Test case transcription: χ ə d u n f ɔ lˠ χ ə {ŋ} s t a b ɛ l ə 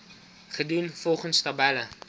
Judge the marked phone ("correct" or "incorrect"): incorrect